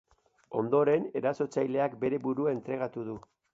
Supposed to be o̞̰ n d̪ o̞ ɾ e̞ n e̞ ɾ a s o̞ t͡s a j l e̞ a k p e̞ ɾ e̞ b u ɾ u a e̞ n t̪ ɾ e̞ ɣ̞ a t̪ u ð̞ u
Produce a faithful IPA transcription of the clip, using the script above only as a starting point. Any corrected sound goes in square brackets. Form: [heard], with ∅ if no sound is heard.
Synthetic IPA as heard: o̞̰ n d̪ o̞ ɾ e̞ n e̞ ɾ a s o̞ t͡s a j l e̞ a k [b] e̞ ɾ e̞ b u ɾ u a e̞ n t̪ ɾ e̞ ɣ̞ a t̪ u ð̞ u